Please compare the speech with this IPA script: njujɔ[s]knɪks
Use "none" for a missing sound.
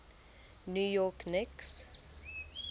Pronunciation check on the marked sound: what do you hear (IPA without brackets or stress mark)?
none